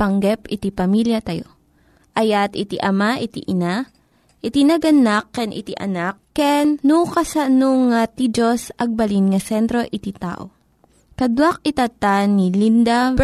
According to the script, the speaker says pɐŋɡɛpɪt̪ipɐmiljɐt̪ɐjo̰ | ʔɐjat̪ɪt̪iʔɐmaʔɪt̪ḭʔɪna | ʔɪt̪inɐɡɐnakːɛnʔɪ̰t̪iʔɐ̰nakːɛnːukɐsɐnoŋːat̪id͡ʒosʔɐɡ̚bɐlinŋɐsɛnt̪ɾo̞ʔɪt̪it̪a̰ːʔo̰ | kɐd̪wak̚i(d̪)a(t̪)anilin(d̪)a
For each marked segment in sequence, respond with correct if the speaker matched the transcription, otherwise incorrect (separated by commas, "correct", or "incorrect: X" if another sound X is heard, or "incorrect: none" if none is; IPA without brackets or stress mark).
incorrect: t̪, correct, correct